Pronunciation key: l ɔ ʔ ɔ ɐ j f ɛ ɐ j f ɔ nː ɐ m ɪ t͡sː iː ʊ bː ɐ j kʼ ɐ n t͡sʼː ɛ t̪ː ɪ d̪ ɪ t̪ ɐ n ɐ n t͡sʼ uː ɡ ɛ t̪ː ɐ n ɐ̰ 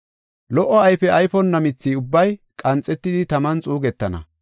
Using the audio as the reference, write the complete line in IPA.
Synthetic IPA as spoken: l ɔ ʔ ɔ ɐ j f ɛ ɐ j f ɔ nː ɐ m ɪ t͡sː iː ʊ bː ɐ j kʼ ɐ n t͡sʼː ɛ t̪ː ɪ d̪ ɪ t̪ ɐ m ɐ n t͡sʼ uː ɡ ɛ t̪ː ɐ n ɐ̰

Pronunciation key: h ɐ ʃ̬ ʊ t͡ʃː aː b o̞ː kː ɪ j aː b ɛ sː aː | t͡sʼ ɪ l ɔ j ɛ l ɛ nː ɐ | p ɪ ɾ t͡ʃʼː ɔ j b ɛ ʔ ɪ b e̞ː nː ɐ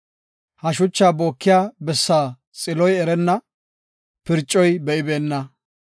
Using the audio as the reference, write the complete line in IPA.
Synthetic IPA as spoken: h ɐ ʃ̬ ʊ t͡ʃː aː b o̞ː kː ɪ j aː b ɛ sː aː | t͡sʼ ɪ l ɔ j ɛ ɾ ɛ nː ɐ | p ɪ ɾ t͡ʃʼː ɔ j b ɛ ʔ ɪ b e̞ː nː ɐ

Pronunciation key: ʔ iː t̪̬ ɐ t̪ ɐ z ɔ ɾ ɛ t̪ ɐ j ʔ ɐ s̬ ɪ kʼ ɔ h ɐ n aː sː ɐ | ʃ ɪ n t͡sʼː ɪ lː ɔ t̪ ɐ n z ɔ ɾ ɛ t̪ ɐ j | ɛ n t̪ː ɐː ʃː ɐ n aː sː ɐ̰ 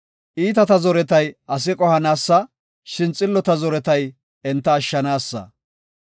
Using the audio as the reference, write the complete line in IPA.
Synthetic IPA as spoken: ʔ iː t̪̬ ɐ t̪ ɐ z ɔ ɾ ɛ t̪ ɐ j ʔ ɐ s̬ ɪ kʼ ɔ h ɐ n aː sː ɐ | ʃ ɪ n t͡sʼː ɪ lː ɔ t̪ ɐ z ɔ ɾ ɛ t̪ ɐ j | ɛ n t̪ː ɐː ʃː ɐ n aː sː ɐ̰

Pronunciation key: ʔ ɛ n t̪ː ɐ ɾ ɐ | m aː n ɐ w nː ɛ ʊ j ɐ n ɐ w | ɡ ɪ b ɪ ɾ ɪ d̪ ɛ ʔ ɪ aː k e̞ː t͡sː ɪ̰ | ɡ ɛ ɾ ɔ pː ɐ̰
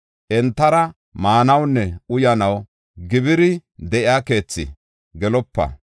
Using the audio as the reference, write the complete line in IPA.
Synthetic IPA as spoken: ʔ ɛ n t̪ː ɐ ɾ ɐ | m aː n ɐ w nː ɛ ʊ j ɐ n ɐ w | ɡ ɪ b ɪ ɾ ɪ d̪ ɛ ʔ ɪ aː k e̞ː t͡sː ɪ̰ | ɡ ɛ l ɔ pː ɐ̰

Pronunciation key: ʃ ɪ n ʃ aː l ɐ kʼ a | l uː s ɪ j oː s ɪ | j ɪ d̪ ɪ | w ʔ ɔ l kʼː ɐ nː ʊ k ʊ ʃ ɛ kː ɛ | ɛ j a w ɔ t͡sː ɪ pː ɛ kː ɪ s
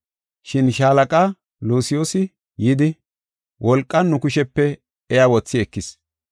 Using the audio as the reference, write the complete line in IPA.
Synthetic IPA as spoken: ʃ ɪ n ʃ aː l ɐ kʼ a | l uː s ɪ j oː s ɪ | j ɪ d̪ ɪ | w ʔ ɔ l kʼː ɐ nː ʊ k ʊ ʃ ɛ pː ɛ | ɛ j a w ɔ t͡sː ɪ ɛ kː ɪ s

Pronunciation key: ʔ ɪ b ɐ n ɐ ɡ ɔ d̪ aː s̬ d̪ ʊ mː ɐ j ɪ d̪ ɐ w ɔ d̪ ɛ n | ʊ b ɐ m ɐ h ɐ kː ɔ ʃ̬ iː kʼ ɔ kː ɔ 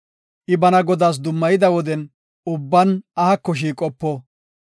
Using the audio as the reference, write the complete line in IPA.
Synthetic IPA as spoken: ʔ ɪ b ɐ n ɐ ɡ ɔ d̪ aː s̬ d̪ ʊ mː ɐ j ɪ d̪ ɐ w ɔ d̪ ɛ n | ʊ bː ɐ n ɐ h ɐ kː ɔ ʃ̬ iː kʼ ɔ pː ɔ

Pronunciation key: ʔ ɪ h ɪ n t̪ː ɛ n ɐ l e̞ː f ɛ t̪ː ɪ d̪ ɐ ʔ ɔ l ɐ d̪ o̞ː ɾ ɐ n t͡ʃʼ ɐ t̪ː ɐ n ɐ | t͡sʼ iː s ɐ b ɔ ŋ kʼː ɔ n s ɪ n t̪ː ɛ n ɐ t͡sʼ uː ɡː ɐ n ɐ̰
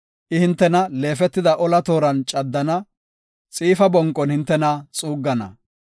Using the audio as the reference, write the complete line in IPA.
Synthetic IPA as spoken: ʔ ɪ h ɪ n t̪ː ɛ n ɐ l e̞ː f ɛ t̪ː ɪ d̪ ɐ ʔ ɔ l ɐ t̪ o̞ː ɾ ɐ n t͡ʃʼ ɐ d̪ː ɐ n ɐ | t͡sʼ iː f ɐ b ɔ ŋ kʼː ɔ n h ɪ n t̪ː ɛ n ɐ t͡sʼ uː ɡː ɐ n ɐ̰

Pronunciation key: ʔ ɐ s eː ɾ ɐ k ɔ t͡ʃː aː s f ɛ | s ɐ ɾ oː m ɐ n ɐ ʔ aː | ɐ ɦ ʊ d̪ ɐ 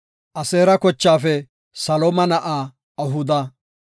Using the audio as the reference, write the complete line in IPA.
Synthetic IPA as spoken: ʔ ɐ s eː ɾ ɐ k ɔ t͡ʃː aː f ɛ | s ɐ l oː m ɐ n ɐ ʔ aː | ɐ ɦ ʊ d̪ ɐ

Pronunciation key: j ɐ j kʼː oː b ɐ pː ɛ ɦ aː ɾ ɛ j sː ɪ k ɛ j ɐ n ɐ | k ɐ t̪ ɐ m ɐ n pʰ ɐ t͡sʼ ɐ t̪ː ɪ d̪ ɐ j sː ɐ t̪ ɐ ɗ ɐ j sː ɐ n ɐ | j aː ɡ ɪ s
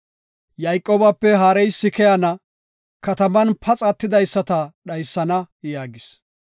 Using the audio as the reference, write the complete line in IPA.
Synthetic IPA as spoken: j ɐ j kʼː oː b ɐ pː ɛ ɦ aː ɾ ɛ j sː ɪ k ɛ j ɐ n ɐ | k ɐ t̪ ɐ m ɐ n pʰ ɐ t͡sʼ ɐ t̪ː ɪ d̪ ɐ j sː ɐ t̪ ɐ ɗ ɐ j sː ɐ n ɐ | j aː ɡ ɪ s

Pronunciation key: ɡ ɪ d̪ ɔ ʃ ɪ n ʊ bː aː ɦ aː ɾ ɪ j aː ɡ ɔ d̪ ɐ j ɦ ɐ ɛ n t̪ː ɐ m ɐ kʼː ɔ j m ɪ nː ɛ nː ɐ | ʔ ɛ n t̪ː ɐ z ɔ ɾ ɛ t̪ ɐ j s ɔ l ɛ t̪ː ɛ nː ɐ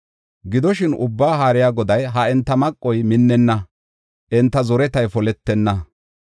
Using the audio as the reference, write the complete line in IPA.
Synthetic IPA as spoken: ɡ ɪ d̪ ɔ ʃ ɪ n ʊ bː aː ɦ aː ɾ ɪ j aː ɡ ɔ d̪ ɐ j ɦ ɐ ɛ n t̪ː ɐ m ɐ kʼː ɔ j m ɪ nː ɛ nː ɐ | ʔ ɛ n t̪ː ɐ z ɔ ɾ ɛ t̪ ɐ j f ɔ l ɛ t̪ː ɛ nː ɐ

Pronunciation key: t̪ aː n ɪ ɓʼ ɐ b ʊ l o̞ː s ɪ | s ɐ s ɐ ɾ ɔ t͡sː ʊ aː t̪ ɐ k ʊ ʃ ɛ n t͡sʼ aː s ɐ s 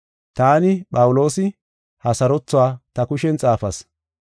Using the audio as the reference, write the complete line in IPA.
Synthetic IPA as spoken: t̪ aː n ɪ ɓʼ ɐ w ʊ l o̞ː s ɪ | h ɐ s ɐ ɾ ɔ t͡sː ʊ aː t̪ ɐ k ʊ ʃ ɛ n t͡sʼ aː f ɐ s

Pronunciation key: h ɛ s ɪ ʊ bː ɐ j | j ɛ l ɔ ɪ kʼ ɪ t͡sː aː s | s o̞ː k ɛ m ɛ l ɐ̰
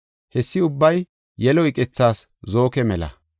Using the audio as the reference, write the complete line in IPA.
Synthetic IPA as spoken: h ɛ sː ɪ ʊ bː ɐ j | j ɛ l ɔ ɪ kʼ ɪ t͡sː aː s | z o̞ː k ɛ m ɛ l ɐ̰

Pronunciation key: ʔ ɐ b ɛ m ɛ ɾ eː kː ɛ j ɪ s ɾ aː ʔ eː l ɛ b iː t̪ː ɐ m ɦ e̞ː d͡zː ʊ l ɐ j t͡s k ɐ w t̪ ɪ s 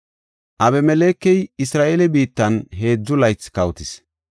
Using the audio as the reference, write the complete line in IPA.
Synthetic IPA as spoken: ʔ ɐ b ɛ m ɛ l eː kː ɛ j ɪ s ɾ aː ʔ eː l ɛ b iː t̪ː ɐ n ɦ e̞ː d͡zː ʊ l ɐ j t͡s k ɐ w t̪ ɪ s

